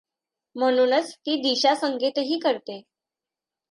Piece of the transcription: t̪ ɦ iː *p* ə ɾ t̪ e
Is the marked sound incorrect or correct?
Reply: incorrect